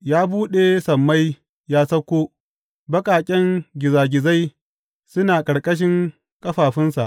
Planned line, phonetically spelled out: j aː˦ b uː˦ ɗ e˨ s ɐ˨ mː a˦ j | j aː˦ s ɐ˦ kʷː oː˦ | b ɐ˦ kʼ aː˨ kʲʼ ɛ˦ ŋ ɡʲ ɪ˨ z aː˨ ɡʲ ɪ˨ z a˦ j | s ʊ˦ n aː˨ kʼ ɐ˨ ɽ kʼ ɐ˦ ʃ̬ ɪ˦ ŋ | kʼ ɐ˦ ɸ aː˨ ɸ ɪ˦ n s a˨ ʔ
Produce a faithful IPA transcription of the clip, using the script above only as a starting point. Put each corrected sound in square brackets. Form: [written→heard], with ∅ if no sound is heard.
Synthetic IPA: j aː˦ b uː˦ ɗ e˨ s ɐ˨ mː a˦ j | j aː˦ s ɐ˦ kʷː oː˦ | b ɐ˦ kʼ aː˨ kʲʼ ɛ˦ ŋ ɡʲ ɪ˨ z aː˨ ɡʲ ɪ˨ z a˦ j | s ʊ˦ n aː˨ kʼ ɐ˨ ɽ kʼ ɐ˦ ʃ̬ ɪ˦ ŋ | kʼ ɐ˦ ɸ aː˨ ɸ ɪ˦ n s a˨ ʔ